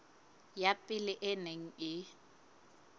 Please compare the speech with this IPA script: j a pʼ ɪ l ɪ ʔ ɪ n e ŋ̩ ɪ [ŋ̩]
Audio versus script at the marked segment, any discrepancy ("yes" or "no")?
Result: yes